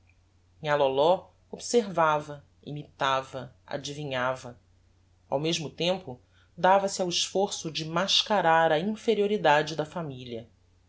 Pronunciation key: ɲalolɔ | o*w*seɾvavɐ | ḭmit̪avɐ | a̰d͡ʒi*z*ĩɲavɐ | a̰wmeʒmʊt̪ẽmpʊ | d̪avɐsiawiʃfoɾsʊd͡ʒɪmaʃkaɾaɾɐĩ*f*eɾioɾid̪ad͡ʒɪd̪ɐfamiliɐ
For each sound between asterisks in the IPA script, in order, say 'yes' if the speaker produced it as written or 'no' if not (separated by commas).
no, no, yes